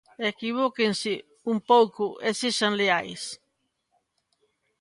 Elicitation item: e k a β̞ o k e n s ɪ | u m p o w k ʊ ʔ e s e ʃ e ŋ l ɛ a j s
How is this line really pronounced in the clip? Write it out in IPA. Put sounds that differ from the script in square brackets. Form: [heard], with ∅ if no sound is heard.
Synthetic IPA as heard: e k [i] β̞ o k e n s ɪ | u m p o w k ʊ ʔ e s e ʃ [a] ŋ l [e] a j s